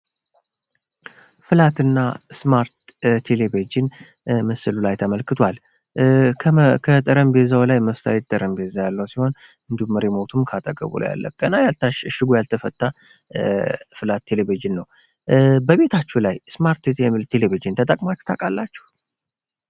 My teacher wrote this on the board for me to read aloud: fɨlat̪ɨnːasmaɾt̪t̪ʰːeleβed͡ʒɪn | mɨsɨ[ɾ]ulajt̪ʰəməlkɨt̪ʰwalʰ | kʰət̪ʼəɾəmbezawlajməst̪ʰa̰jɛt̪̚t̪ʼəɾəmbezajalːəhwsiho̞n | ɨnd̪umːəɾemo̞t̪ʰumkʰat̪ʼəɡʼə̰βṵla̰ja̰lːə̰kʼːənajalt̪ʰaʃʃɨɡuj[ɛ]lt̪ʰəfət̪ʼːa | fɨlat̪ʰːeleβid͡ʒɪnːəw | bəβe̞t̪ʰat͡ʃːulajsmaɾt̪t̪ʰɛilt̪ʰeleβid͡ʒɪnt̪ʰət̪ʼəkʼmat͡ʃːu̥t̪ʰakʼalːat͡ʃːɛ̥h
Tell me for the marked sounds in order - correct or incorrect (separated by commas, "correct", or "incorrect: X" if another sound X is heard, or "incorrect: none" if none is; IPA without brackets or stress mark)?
incorrect: l, incorrect: a